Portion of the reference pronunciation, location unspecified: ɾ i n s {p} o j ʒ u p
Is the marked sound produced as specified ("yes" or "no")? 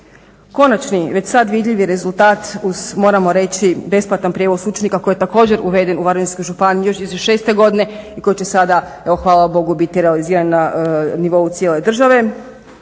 no